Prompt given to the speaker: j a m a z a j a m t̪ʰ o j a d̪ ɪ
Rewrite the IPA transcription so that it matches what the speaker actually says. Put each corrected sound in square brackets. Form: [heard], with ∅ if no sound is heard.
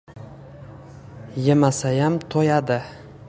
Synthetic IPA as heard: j [e] m a [s] a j a m t̪ʰ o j a d̪ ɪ